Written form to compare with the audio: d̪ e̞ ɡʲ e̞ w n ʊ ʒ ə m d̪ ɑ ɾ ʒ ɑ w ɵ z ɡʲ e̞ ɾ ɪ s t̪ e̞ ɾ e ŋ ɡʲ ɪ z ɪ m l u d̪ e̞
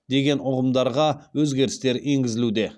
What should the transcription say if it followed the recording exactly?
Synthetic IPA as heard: d̪ e̞ ɡʲ e̞ n ʊ ʁ ə m d̪ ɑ ɾ ʁ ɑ w ɵ z ɡʲ e̞ ɾ ɪ s t̪ e̞ ɾ e ŋ ɡʲ ɪ z ɪ l u d̪ e̞